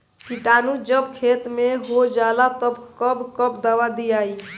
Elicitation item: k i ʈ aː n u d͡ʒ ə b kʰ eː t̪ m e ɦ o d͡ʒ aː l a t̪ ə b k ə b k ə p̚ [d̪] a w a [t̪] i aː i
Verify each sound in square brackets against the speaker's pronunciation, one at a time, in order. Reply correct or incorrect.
correct, incorrect

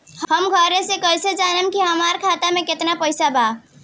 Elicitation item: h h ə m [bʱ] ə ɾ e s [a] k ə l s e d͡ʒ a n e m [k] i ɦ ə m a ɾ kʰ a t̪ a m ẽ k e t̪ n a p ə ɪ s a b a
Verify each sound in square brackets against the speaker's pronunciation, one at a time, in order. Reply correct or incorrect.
incorrect, incorrect, correct

